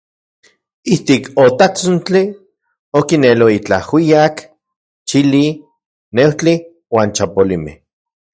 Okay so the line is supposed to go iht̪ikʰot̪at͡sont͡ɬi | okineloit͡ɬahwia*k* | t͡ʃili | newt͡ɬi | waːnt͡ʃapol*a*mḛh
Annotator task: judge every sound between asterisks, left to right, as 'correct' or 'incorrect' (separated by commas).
correct, incorrect